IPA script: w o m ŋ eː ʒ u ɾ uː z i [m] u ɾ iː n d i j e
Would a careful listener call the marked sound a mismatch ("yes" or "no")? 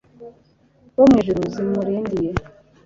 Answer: no